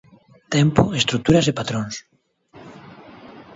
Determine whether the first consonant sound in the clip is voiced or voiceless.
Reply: voiceless